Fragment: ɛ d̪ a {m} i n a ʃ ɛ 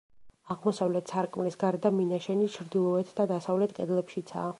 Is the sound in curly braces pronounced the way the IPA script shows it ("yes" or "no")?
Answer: yes